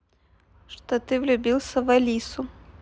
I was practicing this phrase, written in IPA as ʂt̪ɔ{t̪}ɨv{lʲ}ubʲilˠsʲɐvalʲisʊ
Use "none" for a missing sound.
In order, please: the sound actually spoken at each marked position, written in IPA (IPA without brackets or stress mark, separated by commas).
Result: t̪, lʲ